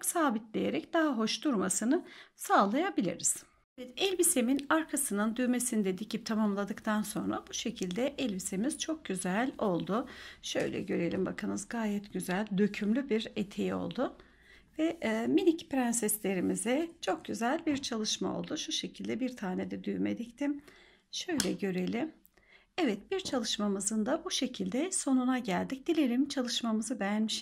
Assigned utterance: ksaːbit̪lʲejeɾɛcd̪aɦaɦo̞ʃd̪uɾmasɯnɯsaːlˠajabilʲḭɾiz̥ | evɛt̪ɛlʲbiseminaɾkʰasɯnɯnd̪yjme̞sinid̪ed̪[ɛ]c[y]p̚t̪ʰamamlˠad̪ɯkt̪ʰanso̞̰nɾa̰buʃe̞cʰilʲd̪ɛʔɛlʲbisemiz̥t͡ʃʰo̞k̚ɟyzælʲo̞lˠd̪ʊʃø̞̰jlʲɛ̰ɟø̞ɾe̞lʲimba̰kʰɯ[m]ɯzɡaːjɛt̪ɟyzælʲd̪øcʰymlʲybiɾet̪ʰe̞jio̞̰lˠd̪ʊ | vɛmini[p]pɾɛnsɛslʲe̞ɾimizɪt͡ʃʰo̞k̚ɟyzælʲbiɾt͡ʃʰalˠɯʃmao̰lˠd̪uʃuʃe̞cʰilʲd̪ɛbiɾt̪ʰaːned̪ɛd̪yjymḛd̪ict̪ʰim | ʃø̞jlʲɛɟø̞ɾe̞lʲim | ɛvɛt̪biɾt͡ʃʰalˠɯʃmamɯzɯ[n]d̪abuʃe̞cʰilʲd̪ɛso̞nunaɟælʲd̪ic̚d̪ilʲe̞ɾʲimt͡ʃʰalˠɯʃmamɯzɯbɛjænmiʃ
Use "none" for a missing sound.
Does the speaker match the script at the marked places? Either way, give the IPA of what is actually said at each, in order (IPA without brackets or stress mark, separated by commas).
i, i, n, c, n